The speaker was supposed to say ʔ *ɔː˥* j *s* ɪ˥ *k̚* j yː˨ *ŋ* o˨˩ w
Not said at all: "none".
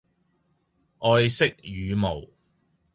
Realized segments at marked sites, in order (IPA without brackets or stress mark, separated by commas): ɔː˧, s, k̚, m